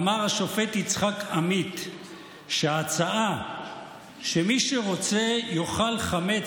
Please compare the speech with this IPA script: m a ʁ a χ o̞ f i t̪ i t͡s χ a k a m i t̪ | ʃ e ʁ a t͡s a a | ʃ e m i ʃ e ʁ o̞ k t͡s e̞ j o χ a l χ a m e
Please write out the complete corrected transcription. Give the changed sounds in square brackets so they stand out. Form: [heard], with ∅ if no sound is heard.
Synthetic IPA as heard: m a ʁ a [ʃ] o̞ f [e] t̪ i t͡s χ a k a m i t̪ | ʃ e [∅] a t͡s a a | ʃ e m i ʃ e ʁ o̞ [∅] t͡s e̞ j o χ a l χ a m e